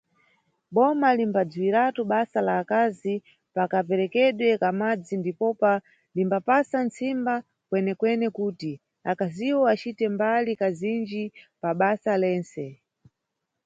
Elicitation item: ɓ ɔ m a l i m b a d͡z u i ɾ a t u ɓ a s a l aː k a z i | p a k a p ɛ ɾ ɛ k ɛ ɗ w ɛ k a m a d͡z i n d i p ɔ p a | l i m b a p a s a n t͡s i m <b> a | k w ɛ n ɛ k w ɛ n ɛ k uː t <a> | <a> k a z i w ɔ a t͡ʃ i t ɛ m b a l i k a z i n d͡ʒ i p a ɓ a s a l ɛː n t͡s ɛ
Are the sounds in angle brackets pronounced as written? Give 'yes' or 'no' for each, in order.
yes, no, yes

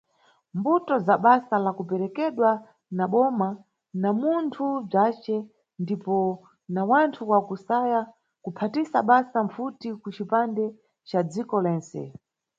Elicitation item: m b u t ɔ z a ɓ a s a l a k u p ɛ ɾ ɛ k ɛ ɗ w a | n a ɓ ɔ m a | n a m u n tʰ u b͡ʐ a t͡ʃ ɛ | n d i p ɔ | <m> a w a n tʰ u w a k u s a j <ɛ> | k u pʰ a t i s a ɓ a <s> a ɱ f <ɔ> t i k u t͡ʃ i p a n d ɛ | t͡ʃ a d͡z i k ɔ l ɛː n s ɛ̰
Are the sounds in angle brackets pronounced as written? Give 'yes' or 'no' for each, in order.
no, no, yes, no

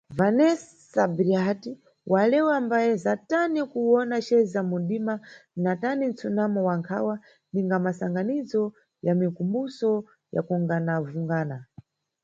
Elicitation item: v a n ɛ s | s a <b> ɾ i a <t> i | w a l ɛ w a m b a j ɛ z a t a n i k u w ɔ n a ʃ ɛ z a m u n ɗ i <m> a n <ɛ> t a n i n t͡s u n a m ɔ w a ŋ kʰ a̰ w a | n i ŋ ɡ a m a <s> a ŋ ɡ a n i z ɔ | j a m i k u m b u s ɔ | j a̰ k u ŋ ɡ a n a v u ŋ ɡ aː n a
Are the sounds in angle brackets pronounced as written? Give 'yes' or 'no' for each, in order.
yes, yes, yes, no, yes

